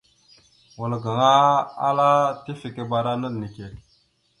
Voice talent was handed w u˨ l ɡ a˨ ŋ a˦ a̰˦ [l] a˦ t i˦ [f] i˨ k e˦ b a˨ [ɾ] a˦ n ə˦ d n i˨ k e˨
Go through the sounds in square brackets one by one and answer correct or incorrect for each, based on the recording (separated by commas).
correct, correct, correct